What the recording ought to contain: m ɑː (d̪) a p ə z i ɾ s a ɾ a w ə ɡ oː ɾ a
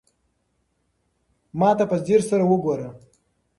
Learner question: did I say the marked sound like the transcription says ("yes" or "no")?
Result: no